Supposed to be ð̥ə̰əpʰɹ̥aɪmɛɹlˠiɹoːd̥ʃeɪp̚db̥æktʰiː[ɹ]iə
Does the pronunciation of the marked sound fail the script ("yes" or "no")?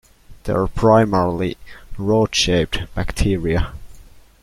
no